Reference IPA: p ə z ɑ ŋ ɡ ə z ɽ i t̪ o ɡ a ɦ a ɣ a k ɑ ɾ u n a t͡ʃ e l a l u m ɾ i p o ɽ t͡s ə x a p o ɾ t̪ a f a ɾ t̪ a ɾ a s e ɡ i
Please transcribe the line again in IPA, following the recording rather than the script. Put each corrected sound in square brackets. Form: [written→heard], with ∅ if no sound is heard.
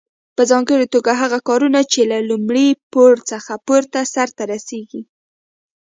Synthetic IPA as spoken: p ə z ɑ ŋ ɡ ə [z→∅] ɽ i t̪ o ɡ a ɦ a ɣ a k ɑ ɾ u n a t͡ʃ e l a l u m [ɾ→ɽ] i p o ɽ t͡s ə x a p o ɾ t̪ a [f→s] a ɾ t̪ a ɾ a s e ɡ i